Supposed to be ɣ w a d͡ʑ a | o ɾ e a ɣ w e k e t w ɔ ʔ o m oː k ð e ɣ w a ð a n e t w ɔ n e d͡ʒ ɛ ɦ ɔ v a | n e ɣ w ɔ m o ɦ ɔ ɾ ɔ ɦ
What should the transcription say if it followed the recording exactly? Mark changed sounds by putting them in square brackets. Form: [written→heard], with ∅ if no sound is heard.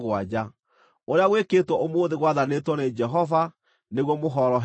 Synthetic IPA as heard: ɣ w a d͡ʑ a | o ɾ e a ɣ w e k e t w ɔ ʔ o m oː [k→∅] ð e ɣ w a ð a n e t w ɔ n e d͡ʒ ɛ ɦ ɔ v a | n e ɣ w ɔ m o ɦ ɔ ɾ ɔ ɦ